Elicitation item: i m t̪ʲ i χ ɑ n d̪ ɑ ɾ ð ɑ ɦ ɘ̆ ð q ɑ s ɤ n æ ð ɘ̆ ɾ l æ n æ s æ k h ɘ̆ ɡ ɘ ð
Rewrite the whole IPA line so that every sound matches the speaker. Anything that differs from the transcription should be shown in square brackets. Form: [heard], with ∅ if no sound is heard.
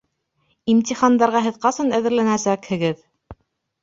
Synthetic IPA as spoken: i m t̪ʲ i χ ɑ n d̪ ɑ ɾ [ʁ] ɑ ɦ ɘ̆ ð q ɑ s ɤ n æ ð ɘ̆ ɾ l æ n æ s æ k h ɘ̆ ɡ ɘ ð